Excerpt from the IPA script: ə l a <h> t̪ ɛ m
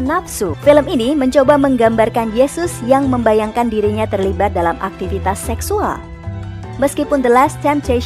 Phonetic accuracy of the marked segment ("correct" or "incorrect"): incorrect